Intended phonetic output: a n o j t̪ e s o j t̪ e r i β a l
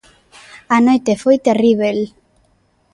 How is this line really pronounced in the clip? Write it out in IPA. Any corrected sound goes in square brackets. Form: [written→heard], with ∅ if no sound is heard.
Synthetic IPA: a n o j t̪ e [s→f] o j t̪ e r i β [a→e] l